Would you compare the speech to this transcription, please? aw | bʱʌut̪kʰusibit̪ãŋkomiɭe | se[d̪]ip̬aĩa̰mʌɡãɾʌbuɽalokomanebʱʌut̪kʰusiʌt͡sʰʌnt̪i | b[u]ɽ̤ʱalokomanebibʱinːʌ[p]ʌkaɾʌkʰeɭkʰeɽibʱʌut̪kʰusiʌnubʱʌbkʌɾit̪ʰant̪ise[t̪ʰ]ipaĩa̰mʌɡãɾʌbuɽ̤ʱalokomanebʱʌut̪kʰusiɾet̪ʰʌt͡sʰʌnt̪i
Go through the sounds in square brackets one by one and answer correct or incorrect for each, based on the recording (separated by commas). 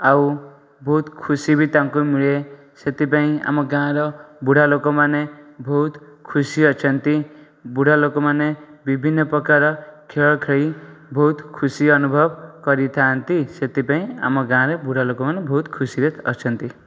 incorrect, correct, correct, incorrect